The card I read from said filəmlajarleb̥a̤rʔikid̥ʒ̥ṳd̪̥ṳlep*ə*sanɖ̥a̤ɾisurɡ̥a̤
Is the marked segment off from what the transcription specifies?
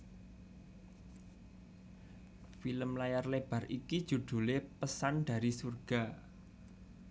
no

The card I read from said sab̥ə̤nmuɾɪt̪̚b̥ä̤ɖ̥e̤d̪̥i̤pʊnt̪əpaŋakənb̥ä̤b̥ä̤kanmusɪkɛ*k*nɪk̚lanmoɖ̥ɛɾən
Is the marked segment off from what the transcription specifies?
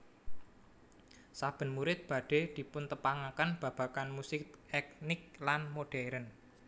no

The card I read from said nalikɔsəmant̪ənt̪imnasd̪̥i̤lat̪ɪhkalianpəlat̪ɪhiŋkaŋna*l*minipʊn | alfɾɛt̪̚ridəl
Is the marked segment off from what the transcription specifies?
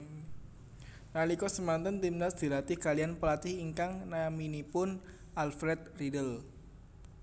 yes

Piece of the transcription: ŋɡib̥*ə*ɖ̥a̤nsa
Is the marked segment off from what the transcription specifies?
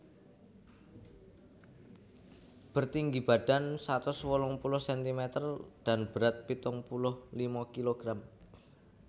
yes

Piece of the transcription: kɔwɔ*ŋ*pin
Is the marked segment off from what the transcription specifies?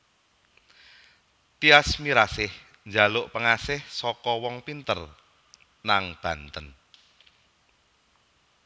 no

